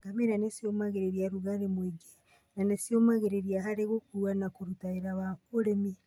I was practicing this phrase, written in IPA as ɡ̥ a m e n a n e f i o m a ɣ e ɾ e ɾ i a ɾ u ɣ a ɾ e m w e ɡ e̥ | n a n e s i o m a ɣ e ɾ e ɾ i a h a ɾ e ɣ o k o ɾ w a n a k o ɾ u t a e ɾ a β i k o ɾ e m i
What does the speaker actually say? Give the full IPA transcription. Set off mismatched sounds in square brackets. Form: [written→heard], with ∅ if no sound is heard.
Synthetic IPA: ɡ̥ a m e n a n e [f→s] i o m a ɣ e ɾ e ɾ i a ɾ u ɣ a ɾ e m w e ɡ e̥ | n a n e s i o m a ɣ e ɾ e ɾ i a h a ɾ e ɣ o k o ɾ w a n a k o ɾ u t a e ɾ a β [i→a] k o ɾ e m i